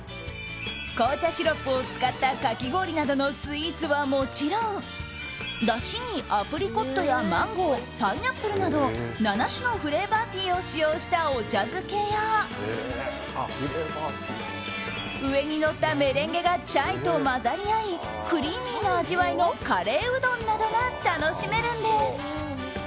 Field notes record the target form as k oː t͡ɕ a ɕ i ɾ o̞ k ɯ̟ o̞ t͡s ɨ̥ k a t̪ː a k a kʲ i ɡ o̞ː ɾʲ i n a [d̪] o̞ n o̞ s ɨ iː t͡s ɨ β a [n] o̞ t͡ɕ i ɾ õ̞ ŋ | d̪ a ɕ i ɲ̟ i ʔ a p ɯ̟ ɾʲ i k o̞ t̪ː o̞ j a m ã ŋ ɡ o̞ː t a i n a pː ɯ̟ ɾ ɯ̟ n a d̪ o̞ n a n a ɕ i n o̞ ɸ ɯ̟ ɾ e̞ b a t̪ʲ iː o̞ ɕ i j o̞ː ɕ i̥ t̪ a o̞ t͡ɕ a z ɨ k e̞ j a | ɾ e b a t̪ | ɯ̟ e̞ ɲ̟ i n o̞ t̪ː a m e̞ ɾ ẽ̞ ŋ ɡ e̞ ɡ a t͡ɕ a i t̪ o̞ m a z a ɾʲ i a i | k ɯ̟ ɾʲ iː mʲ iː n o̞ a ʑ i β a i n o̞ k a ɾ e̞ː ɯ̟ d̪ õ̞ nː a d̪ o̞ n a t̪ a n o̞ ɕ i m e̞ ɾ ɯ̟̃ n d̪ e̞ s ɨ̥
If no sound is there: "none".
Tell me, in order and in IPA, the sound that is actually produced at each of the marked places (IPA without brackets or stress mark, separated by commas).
d̪, m